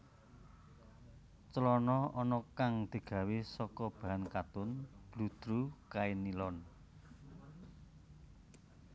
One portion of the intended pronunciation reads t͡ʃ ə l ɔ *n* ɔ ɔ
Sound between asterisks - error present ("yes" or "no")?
no